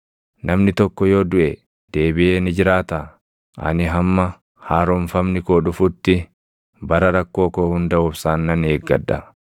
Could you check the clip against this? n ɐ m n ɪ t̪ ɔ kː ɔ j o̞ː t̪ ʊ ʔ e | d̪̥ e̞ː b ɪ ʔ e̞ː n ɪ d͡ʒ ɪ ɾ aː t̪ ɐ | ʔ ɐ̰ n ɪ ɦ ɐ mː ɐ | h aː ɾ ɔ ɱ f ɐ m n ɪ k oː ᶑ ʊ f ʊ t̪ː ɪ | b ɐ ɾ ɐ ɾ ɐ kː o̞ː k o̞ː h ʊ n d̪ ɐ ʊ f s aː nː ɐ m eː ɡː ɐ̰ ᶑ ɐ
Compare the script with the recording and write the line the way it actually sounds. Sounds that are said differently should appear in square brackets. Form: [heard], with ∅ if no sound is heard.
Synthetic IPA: n ɐ m n ɪ t̪ ɔ kː ɔ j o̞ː [d̪] ʊ ʔ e | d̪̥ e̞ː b ɪ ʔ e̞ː n ɪ d͡ʒ ɪ ɾ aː t̪ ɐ | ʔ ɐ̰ n ɪ ɦ ɐ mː ɐ | h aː ɾ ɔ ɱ f ɐ m n ɪ k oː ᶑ ʊ f ʊ t̪ː ɪ | b ɐ ɾ ɐ ɾ ɐ kː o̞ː k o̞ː h ʊ n d̪ ɐ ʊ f s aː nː ɐ [n] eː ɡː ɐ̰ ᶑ ɐ